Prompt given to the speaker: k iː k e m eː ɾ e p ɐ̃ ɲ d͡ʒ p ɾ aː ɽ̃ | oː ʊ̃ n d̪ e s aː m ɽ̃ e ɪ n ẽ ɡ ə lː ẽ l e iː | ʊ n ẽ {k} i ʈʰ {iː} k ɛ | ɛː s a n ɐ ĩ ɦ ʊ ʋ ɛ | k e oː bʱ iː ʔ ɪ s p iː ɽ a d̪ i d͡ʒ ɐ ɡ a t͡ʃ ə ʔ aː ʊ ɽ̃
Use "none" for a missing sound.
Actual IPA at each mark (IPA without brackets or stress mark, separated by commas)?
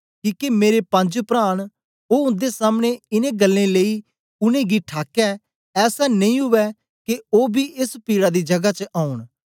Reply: ɡ, aː